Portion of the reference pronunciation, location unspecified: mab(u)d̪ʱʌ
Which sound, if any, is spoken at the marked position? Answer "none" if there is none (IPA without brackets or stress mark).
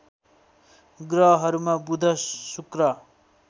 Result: u